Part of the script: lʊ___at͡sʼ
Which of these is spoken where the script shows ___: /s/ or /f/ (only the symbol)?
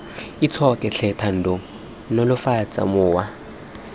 f